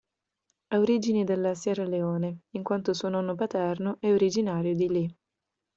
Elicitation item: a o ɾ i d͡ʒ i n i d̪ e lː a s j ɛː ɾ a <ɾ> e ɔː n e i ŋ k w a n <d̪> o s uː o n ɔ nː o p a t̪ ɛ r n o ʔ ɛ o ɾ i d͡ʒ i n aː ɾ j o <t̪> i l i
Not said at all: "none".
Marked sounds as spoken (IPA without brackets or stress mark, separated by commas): l, t̪, d̪